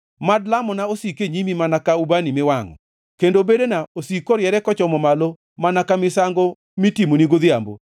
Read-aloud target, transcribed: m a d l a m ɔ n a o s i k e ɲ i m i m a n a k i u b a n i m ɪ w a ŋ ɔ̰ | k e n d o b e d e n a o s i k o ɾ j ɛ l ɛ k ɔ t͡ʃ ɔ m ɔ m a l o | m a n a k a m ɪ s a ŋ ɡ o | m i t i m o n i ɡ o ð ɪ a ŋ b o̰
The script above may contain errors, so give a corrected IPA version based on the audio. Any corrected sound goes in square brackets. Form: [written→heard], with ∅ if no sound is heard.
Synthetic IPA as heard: m a d l a m ɔ n a o s i k e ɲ i m i m a n a k [i→a] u b a n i m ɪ w a ŋ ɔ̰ | k e n d o b e d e n a o s i k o ɾ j ɛ [l→ɾ] ɛ k ɔ t͡ʃ ɔ m ɔ m a l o | m a n a k a m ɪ s a ŋ ɡ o | m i t i m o n i ɡ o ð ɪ a [ŋ→m] b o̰